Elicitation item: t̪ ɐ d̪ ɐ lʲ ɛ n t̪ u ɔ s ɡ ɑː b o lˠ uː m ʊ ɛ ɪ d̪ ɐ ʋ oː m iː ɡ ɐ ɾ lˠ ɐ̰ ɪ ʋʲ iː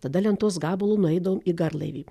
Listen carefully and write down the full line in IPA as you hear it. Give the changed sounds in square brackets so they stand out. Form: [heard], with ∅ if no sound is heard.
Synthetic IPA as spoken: t̪ ɐ d̪ ɐ lʲ ɛ n t̪ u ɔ s ɡ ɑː b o lˠ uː [n] ʊ ɛ ɪ d̪ ɐ ʋ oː m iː ɡ ɐ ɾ lˠ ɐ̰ ɪ ʋʲ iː